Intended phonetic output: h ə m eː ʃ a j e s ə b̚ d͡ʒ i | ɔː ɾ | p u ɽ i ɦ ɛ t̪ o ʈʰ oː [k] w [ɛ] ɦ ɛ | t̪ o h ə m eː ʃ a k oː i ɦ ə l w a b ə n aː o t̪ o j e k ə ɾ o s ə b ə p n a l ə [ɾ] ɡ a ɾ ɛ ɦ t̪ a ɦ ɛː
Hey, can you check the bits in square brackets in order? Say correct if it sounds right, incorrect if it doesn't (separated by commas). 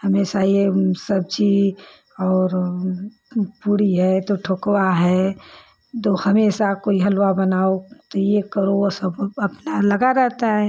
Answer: correct, incorrect, incorrect